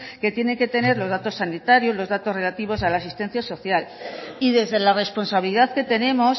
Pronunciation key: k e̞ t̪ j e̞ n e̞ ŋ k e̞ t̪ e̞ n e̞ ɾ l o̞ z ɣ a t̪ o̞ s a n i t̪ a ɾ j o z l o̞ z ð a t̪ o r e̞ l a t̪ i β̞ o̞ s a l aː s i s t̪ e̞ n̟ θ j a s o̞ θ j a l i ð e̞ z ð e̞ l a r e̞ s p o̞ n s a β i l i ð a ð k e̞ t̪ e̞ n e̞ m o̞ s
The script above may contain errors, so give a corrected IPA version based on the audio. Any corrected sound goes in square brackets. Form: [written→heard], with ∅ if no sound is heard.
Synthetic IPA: k e̞ t̪ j e̞ n e̞ ŋ k e̞ t̪ e̞ n e̞ ɾ l o̞ z [ɣ→ð] a t̪ o̞ s a n i t̪ a ɾ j o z l o̞ z ð a t̪ o r e̞ l a t̪ i β̞ o̞ s a l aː s i s t̪ e̞ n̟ θ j a s o̞ θ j a l i ð e̞ z ð e̞ l a r e̞ s p o̞ n s a β i l i ð a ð k e̞ t̪ e̞ n e̞ m o̞ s